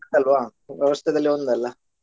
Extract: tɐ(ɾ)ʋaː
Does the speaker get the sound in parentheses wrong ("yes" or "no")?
yes